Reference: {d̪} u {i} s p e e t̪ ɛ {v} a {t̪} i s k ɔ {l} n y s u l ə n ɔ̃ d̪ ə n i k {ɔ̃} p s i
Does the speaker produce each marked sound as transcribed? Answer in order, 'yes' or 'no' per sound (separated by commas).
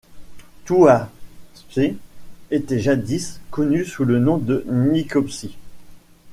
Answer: no, no, no, no, no, no